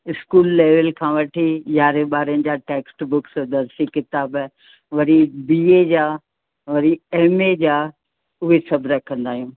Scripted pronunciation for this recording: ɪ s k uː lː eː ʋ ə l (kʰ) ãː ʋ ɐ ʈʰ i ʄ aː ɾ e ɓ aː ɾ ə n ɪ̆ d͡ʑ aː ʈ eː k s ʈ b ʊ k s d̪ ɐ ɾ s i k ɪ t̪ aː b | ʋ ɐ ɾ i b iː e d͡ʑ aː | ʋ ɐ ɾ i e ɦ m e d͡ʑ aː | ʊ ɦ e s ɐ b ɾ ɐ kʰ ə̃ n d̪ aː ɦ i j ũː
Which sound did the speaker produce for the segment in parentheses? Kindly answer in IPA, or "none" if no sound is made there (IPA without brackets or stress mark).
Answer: kʰ